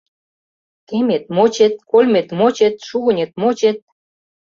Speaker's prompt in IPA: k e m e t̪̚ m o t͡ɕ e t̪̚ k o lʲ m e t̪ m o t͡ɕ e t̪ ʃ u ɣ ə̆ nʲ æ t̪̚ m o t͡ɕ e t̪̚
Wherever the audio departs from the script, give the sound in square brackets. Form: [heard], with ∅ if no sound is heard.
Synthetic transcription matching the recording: k e m e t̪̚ m o t͡ɕ e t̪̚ k o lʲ m e t̪ m o t͡ɕ e t̪ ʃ u ɣ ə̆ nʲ [e] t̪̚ m o t͡ɕ e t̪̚